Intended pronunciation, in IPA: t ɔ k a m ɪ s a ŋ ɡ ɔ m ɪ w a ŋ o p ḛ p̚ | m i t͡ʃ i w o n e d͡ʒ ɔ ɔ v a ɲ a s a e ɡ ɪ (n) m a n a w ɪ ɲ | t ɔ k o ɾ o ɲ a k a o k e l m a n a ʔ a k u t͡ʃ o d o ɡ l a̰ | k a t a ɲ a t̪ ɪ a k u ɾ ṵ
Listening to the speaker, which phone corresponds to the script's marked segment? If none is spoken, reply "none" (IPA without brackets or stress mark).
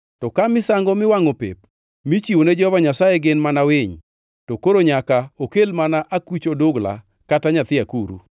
n